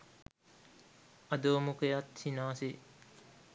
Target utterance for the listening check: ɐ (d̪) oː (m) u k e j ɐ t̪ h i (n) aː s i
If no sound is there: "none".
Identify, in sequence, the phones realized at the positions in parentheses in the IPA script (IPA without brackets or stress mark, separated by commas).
d̪, m, n